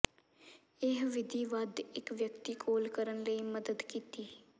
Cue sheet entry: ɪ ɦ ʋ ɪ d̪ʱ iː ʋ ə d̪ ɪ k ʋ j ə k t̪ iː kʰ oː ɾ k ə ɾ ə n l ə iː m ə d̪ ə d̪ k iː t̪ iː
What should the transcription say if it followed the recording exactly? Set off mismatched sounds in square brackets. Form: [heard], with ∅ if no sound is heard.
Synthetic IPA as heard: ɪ ɦ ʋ ɪ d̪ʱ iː ʋ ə d̪ ɪ k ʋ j ə k t̪ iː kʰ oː [l] k ə ɾ ə n l ə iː m ə d̪ ə d̪ k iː t̪ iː